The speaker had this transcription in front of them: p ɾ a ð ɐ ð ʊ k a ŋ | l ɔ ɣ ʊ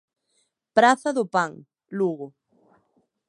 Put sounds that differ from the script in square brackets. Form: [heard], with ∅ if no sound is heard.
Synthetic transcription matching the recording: p ɾ a [θ] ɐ ð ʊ [p] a ŋ | l [u] ɣ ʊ